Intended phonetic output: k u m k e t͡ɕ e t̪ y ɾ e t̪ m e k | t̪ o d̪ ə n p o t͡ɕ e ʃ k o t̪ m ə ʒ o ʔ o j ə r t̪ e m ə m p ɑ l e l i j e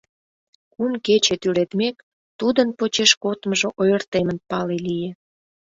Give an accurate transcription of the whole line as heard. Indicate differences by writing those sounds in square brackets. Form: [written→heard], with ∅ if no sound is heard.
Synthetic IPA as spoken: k u m k e t͡ɕ e t̪ y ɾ e t̪ m e k | t̪ [o→u] d̪ ə n p o t͡ɕ e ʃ k o t̪ m ə ʒ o ʔ o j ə r t̪ e m ə [m→n] p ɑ l e l i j e